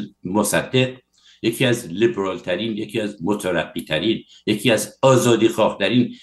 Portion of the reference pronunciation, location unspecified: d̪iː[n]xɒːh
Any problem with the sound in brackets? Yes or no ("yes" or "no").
yes